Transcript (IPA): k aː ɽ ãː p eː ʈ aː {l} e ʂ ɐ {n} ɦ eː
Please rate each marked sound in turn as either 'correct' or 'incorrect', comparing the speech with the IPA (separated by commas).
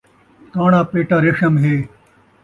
incorrect, incorrect